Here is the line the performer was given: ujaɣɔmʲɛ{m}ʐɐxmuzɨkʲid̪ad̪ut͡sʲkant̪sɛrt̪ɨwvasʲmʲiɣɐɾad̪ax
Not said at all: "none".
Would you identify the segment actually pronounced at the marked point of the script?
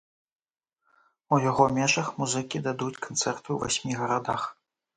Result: none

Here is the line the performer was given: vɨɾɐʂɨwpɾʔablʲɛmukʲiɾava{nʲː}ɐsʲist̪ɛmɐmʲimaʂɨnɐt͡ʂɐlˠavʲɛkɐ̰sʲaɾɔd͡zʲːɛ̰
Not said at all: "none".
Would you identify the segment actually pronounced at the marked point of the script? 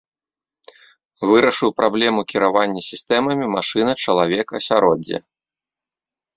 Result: nʲː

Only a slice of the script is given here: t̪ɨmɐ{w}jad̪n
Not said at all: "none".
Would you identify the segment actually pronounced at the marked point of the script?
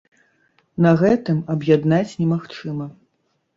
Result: b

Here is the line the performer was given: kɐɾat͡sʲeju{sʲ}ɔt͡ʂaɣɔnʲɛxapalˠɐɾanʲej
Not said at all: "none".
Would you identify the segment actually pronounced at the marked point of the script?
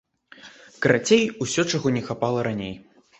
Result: sʲ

